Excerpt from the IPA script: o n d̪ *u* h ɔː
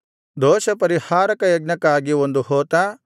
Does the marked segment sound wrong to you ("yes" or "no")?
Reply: no